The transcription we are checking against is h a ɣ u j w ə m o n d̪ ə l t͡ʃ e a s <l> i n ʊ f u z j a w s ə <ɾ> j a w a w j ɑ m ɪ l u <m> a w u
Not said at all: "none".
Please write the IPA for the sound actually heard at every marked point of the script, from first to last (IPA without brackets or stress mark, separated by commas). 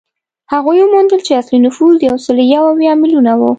l, l, n